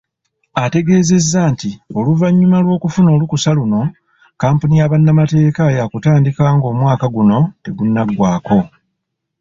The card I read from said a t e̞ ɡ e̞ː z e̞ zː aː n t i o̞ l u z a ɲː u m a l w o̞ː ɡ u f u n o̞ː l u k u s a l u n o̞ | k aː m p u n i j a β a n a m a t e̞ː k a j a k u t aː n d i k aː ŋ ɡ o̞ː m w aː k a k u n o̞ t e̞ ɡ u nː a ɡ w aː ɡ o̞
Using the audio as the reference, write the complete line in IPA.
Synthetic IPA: a t e̞ ɡ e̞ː z e̞ zː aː n t i o̞ l u v a ɲː u m a l w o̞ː k u f u n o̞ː l u k u s a l u n o̞ | k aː m p u n i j a β a nː a m a t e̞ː k a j a k u t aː n d i k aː ŋ ɡ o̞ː m w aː k a ɡ u n o̞ t e̞ ɡ u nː a ɡ w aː k o̞